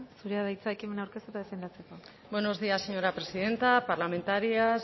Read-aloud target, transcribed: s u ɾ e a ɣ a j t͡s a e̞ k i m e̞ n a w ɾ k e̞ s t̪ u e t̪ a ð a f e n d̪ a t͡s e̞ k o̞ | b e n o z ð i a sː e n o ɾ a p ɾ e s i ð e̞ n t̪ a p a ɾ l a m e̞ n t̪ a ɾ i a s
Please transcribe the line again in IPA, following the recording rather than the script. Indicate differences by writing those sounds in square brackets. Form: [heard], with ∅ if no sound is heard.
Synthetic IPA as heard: s u ɾ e a [ð] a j t͡s a e̞ k i m e̞ n a w ɾ k e̞ s t̪ u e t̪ a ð [e] f e n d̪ a t͡s e̞ k o̞ | b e n o z ð i a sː e [ɲ] o ɾ a p ɾ e s i ð e̞ n t̪ a p a ɾ l a m e̞ n t̪ a ɾ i a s